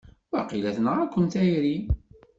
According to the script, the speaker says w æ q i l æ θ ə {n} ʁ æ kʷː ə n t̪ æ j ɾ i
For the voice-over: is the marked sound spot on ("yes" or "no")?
yes